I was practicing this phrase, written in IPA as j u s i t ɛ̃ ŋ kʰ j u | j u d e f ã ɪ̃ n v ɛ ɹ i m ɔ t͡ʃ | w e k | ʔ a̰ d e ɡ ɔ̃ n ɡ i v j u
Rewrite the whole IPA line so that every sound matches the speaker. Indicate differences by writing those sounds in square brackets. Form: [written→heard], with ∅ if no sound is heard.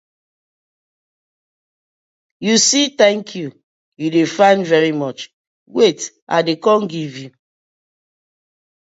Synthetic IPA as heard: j u s i t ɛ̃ ŋ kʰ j u | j u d e f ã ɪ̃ n v ɛ ɹ i m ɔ t͡ʃ | w e [k→t] | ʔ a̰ d e [ɡ→k] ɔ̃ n ɡ i v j u